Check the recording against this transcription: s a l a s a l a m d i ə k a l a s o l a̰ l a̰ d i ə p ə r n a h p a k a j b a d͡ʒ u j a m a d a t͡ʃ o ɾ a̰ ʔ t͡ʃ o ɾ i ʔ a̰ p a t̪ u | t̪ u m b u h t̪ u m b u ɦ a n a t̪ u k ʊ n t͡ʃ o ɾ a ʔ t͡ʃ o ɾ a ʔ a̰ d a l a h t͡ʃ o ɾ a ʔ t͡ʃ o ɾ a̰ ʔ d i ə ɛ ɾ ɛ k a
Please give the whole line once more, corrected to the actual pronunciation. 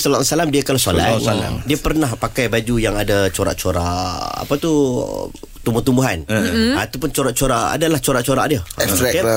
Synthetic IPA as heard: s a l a s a l a m d i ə k a l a s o l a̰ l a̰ d i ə p ə r n a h p a k a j b a d͡ʒ u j a ŋ a d a t͡ʃ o ɾ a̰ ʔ t͡ʃ o ɾ a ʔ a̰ p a t̪ u | t̪ u m b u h t̪ u m b u ɦ a n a t̪ u p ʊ n t͡ʃ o ɾ a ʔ t͡ʃ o ɾ a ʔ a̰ d a l a h t͡ʃ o ɾ a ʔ t͡ʃ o ɾ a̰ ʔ d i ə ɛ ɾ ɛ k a